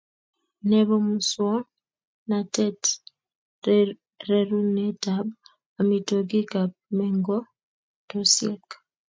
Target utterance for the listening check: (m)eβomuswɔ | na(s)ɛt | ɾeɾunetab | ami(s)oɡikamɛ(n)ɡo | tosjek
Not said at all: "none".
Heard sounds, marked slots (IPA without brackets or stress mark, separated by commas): n, t, t, ŋ